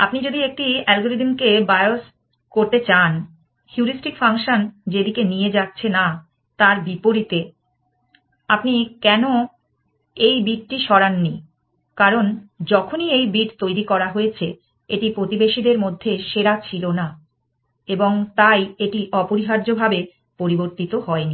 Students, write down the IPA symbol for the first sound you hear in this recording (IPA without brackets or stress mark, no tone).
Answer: a